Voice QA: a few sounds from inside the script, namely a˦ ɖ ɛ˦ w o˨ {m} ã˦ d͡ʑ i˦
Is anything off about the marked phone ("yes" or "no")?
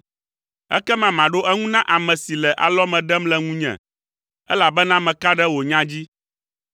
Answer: yes